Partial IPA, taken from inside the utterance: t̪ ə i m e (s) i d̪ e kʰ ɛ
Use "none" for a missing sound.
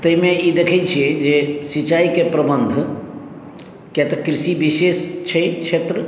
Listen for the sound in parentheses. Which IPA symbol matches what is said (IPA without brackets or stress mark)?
none